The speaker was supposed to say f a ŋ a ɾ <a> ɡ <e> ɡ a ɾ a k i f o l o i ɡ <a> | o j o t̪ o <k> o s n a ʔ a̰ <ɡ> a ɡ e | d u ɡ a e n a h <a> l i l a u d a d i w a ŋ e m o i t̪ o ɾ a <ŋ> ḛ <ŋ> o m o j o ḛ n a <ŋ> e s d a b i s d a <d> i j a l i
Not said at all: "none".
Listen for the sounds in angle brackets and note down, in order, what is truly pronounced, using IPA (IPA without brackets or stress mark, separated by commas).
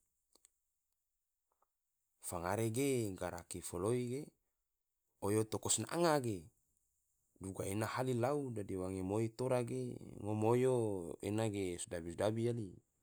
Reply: e, e, e, k, ŋ, a, ɡ, ŋ, ɡ, b